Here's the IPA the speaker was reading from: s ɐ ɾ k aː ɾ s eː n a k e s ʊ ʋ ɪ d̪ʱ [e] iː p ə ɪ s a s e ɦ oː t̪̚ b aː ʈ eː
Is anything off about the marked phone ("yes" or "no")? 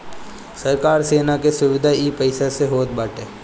yes